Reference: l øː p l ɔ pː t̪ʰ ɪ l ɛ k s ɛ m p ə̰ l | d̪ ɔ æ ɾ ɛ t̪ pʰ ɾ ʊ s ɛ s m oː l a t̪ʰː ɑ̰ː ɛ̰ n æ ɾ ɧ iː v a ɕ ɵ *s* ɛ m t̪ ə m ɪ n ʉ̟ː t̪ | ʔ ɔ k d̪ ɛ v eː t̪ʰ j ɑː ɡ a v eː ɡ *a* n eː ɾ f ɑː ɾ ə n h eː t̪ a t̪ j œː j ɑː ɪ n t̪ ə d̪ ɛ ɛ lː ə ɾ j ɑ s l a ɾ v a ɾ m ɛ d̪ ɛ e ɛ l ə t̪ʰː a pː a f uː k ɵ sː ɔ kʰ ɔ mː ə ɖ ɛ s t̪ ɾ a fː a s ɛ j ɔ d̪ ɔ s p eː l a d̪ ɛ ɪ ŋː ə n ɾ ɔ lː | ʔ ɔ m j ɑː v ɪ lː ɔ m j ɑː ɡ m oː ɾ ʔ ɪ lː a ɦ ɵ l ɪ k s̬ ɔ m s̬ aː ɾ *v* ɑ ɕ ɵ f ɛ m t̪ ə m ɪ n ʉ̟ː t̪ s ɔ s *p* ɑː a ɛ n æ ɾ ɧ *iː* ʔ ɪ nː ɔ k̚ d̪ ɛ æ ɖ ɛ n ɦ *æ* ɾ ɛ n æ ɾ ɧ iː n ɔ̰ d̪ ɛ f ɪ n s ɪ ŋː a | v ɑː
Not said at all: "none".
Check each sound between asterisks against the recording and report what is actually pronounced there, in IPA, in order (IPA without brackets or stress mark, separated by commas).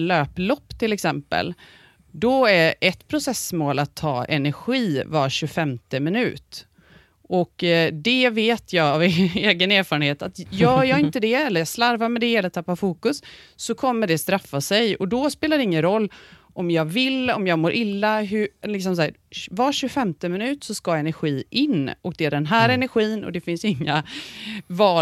f, ə, v, k, iː, æː